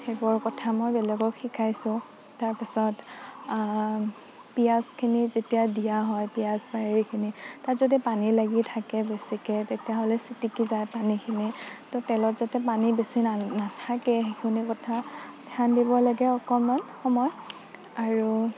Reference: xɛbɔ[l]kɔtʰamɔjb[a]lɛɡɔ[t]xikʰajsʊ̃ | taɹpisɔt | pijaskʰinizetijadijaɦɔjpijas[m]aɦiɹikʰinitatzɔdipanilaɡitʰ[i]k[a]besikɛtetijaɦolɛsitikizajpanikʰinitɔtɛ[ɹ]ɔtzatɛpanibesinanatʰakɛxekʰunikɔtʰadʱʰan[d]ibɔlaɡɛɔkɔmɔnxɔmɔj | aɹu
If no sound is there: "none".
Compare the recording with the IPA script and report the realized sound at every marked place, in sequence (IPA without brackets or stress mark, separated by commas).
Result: ɹ, ɛ, k, b, a, ɛ, l, d